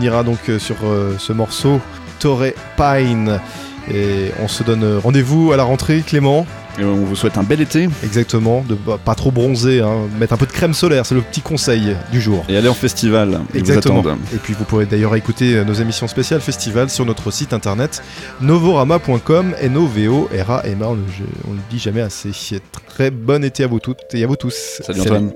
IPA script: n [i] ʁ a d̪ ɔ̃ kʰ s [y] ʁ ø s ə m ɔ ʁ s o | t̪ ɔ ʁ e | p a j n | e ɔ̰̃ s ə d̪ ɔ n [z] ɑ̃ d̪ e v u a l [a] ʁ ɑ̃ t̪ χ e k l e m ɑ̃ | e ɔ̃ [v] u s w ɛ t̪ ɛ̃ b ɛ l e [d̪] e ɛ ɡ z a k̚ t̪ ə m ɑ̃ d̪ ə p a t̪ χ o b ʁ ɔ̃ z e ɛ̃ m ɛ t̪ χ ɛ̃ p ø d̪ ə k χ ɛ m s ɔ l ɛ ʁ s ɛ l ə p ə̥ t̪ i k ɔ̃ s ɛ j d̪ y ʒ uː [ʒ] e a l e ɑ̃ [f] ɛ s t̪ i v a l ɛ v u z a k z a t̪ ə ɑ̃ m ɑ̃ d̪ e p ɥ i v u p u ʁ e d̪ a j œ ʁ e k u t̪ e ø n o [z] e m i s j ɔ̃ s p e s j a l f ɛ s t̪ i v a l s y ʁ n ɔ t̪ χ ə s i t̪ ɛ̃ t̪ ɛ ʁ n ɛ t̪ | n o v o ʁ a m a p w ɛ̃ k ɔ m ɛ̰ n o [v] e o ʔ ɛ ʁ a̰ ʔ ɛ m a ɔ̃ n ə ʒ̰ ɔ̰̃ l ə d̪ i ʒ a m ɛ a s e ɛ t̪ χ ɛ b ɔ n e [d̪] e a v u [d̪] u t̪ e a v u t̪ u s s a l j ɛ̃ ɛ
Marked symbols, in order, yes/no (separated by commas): yes, yes, no, yes, yes, no, no, yes, yes, yes, no, no